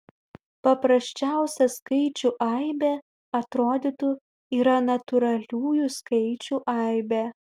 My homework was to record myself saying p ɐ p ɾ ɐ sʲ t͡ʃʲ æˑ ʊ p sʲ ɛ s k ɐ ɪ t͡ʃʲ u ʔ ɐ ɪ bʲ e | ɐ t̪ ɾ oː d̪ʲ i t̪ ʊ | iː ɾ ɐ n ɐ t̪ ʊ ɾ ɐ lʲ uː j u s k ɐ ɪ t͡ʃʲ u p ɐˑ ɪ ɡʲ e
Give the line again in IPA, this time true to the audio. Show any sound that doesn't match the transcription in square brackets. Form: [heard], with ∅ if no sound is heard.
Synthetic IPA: p ɐ p ɾ ɐ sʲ t͡ʃʲ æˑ ʊ [∅] sʲ ɛ s k ɐ ɪ t͡ʃʲ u ʔ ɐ ɪ bʲ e | ɐ t̪ ɾ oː d̪ʲ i t̪ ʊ | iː ɾ ɐ n ɐ t̪ ʊ ɾ ɐ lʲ uː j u s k ɐ ɪ t͡ʃʲ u [ʔ] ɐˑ ɪ [bʲ] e